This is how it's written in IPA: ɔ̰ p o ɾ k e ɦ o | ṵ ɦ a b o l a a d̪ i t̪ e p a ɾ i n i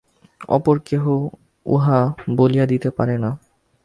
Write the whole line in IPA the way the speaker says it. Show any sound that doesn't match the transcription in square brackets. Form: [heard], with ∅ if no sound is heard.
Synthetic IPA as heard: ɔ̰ p o ɾ k e ɦ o | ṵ ɦ a b o l [i] a d̪ i t̪ e p a ɾ [e] n [a]